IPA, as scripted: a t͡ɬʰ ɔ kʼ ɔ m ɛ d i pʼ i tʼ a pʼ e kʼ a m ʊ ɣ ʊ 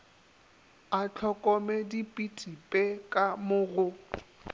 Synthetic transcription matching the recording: a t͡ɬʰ ɔ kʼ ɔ m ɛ d i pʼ i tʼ i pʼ e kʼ a m ʊ ɣ ʊ